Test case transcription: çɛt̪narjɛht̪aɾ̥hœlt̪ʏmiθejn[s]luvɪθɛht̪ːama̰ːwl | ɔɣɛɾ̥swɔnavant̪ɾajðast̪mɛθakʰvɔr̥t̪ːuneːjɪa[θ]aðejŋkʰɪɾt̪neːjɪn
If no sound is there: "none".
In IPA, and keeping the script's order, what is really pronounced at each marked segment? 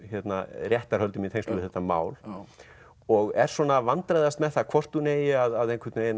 s, ð

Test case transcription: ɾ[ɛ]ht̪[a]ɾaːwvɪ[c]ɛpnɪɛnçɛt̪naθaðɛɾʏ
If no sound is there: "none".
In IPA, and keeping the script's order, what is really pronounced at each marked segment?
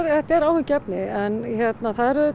ɛ, ɛ, c

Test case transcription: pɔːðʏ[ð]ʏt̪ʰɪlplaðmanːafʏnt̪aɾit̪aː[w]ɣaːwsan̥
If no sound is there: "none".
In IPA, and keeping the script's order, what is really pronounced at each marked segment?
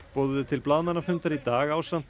ð, none

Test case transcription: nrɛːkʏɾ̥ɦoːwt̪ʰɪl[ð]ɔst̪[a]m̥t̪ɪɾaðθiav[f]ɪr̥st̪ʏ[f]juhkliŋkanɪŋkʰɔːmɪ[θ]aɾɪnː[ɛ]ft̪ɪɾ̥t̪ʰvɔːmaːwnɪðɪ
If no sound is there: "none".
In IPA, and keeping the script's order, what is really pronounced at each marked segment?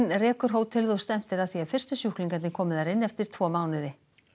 ð, ɛ, f, s, ð, ɛ

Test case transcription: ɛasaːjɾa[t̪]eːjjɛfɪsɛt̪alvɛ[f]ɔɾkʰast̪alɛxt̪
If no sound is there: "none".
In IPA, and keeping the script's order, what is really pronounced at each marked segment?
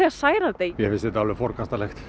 t̪, f

